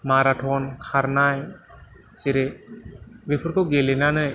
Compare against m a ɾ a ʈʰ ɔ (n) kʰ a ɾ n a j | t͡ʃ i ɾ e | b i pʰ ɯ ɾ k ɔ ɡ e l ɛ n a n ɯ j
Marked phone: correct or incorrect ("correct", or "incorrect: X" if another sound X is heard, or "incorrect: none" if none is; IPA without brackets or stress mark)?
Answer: correct